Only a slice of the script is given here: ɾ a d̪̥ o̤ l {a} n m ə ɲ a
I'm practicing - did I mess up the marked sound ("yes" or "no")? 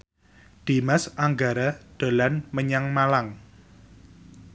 no